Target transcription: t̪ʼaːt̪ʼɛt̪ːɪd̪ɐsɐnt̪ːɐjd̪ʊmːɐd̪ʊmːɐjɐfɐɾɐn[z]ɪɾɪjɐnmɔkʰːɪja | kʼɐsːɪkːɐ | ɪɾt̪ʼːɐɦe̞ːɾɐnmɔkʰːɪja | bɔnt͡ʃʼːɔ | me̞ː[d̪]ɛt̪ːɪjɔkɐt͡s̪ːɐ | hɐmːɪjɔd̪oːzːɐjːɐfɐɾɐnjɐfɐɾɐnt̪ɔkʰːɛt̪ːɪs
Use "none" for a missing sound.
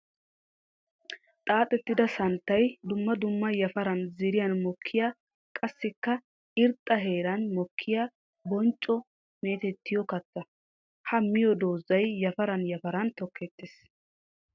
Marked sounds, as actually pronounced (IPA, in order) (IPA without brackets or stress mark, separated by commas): z, t̪